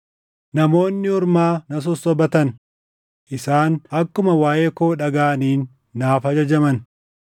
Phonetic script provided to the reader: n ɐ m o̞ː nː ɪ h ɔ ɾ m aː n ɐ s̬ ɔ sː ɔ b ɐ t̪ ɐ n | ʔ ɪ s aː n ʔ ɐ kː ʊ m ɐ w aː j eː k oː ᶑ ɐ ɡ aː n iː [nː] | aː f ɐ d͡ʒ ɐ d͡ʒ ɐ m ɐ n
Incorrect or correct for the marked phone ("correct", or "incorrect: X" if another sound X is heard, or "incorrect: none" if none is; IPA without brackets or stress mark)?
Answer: correct